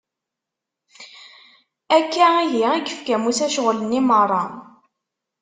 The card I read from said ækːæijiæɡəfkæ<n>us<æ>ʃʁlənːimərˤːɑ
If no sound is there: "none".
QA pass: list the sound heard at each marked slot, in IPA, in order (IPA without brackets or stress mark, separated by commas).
m, æ